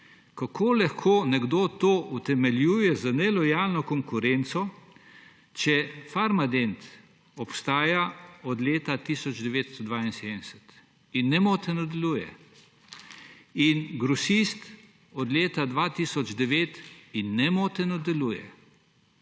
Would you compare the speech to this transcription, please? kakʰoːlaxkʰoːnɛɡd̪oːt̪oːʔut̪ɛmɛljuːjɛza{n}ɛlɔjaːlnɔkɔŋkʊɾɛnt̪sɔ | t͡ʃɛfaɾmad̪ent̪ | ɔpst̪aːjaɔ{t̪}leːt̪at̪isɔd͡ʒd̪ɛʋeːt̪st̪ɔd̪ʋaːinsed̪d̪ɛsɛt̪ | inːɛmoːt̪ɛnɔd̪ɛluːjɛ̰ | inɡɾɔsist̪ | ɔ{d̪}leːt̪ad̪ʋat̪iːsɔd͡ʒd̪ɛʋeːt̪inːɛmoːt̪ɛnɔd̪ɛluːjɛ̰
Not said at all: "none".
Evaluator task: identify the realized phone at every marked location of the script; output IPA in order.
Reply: n, d̪, d̪

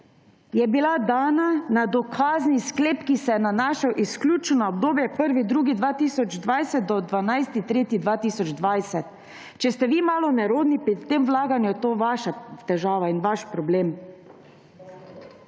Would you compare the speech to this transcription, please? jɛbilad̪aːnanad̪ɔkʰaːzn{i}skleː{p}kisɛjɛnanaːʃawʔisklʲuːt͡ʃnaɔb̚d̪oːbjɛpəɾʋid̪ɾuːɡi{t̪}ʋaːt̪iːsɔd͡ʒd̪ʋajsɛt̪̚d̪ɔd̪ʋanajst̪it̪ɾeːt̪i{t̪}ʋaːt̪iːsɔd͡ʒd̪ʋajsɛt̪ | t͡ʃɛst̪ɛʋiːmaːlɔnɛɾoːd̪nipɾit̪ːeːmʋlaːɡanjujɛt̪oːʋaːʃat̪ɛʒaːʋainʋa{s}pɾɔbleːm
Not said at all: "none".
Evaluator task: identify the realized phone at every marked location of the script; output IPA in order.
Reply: i, p, d̪, d̪, ʃ

